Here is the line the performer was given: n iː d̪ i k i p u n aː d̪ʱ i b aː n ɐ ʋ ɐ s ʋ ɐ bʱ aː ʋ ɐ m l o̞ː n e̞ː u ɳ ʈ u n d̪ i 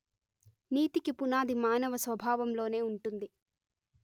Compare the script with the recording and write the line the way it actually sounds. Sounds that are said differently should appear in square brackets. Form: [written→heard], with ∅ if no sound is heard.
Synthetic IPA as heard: n iː [d̪→t̪] i k i p u n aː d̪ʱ i [b→m] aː n ɐ ʋ ɐ s ʋ ɐ bʱ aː ʋ ɐ m l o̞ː n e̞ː u ɳ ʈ u n d̪ i